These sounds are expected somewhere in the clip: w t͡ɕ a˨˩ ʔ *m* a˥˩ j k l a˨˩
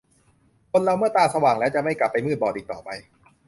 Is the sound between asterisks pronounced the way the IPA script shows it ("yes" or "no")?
yes